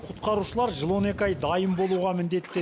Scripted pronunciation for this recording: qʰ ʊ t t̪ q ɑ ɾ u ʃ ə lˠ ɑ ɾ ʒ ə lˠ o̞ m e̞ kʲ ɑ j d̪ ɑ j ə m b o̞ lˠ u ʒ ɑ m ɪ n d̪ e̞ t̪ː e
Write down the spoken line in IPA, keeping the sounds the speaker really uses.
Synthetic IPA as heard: qʰ ʊ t t̪ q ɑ ɾ u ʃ ə lˠ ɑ ɾ ʒ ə lˠ o̞ n e̞ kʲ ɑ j d̪ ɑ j ə m b o̞ lˠ u ʁ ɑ m ɪ n d̪ e̞ t̪ː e